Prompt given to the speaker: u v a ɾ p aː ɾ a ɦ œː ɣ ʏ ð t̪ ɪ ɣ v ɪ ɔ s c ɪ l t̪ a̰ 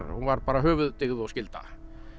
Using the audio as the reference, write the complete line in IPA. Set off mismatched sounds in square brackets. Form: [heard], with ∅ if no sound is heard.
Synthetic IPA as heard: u v a ɾ p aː ɾ a ɦ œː [v] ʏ ð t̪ ɪ ɣ [ð] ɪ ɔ s c ɪ l t̪ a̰